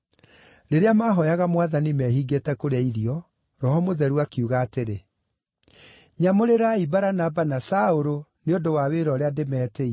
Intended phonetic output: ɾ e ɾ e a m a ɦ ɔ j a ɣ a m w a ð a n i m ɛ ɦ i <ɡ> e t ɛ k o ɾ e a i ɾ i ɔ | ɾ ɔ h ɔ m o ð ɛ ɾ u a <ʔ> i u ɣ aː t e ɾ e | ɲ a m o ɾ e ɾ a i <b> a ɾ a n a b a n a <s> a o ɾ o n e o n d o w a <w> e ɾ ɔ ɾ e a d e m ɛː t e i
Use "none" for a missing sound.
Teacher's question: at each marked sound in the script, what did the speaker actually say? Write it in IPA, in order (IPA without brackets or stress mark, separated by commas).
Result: ɡ, k, b, s, w